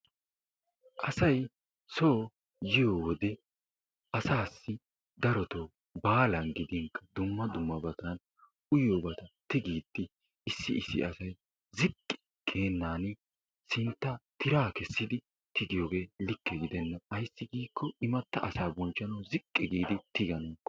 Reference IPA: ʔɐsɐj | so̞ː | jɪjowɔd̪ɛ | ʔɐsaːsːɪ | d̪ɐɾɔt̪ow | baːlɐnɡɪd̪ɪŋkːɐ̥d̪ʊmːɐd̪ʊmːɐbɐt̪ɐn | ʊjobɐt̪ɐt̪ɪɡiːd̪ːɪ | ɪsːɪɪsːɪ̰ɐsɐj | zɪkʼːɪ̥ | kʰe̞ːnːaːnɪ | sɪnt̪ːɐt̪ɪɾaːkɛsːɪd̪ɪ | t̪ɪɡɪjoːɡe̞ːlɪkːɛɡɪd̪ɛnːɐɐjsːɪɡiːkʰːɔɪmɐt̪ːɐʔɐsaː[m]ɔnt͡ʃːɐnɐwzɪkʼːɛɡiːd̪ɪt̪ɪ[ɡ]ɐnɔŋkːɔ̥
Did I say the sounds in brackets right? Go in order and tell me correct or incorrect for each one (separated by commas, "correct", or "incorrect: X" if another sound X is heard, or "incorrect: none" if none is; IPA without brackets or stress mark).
incorrect: b, correct